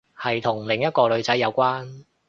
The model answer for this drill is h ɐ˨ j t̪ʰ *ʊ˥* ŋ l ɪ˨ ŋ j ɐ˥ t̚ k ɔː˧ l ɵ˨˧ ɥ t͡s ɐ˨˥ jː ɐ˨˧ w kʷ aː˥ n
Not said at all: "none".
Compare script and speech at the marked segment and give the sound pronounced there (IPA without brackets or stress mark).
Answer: ʊ˨˩